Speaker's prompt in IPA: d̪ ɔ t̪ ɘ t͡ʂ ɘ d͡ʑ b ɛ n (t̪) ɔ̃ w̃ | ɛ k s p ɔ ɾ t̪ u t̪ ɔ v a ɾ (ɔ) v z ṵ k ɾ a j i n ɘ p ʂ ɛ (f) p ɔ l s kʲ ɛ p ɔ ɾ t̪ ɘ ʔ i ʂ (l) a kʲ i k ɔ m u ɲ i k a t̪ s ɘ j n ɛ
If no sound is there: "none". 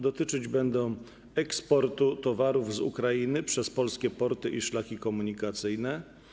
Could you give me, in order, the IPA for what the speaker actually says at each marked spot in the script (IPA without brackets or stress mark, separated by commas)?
d̪, u, s, l